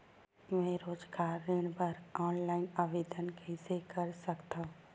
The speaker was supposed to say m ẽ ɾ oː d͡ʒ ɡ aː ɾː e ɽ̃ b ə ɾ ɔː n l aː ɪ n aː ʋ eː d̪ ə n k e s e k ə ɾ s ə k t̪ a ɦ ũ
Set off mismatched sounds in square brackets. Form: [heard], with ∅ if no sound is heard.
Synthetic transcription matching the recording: m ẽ ɾ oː d͡ʒ ɡ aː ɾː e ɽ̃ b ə ɾ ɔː n l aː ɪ n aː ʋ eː d̪ ə n k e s e k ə ɾ s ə k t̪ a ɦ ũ